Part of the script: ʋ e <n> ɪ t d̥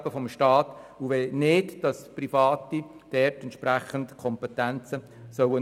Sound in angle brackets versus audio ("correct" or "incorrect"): correct